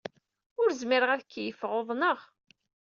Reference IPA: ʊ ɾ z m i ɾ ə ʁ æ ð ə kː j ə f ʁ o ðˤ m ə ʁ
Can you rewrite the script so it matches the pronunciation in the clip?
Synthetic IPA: ʊ ɾ z m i ɾ ə ʁ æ ð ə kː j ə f ʁ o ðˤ n ə ʁ